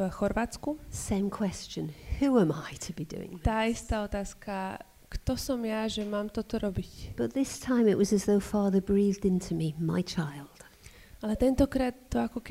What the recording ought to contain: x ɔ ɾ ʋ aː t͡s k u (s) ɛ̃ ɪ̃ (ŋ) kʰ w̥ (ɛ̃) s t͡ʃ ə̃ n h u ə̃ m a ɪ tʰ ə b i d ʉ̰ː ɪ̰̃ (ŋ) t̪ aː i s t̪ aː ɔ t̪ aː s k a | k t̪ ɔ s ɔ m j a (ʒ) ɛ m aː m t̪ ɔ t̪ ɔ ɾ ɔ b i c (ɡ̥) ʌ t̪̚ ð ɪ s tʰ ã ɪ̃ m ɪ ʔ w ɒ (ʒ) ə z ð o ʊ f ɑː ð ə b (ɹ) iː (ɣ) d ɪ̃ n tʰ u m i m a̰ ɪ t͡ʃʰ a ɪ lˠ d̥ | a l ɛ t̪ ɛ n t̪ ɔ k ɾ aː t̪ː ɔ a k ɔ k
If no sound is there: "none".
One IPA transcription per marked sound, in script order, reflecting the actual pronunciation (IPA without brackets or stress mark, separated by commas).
s, m, ɛ, ŋ, ʒ, b̥, z, ɹ, ð